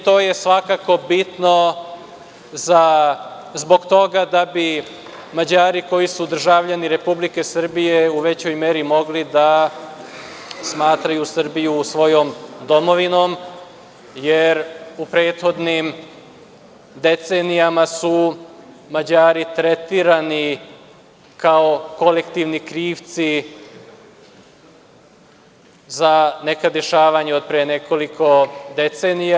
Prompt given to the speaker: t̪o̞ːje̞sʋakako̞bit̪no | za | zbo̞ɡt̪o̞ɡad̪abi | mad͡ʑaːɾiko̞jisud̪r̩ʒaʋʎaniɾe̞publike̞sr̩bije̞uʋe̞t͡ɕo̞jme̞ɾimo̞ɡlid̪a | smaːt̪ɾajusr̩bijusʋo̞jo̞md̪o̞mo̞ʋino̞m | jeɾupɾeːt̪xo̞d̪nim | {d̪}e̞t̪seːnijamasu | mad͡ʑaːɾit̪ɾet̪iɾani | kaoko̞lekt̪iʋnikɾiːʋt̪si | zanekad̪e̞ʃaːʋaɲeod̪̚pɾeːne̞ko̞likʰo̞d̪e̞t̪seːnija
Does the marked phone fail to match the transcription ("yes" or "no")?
no